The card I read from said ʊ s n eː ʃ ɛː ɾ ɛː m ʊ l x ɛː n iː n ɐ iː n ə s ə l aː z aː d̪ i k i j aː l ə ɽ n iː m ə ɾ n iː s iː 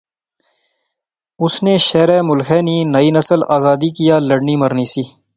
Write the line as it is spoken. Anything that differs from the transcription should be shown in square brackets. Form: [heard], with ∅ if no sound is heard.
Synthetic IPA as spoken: ʊ s n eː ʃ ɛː ɾ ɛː m ʊ l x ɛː n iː n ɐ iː n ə s ə l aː z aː d̪ i k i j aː l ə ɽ n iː m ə ɾ n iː s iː